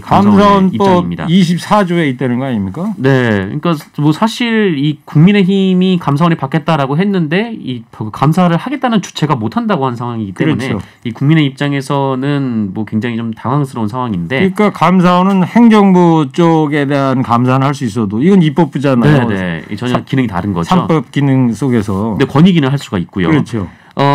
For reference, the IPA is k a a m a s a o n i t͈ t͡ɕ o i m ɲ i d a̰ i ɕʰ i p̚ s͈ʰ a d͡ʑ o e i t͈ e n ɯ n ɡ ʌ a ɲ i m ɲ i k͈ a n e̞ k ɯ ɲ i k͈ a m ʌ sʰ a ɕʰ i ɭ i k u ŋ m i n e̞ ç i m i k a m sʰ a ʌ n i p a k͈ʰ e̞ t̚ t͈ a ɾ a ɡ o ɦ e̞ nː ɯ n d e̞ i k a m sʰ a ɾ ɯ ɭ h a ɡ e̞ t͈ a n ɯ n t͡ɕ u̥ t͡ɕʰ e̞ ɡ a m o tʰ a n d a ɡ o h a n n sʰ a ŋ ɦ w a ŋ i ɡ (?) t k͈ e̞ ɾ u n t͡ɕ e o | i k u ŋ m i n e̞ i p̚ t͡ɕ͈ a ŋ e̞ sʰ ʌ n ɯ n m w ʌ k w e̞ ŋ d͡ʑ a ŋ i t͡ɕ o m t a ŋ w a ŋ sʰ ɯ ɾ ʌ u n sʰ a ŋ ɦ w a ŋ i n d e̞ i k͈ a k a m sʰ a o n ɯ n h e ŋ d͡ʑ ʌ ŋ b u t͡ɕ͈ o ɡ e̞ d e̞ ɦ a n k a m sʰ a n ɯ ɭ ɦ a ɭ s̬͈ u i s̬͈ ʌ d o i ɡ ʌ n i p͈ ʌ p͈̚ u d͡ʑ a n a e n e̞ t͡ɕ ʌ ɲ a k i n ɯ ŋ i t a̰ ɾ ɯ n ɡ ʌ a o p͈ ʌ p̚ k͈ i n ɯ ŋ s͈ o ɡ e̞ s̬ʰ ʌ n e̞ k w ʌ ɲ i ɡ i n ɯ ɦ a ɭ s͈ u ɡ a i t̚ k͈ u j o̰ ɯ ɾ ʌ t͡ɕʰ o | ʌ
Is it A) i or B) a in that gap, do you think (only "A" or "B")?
A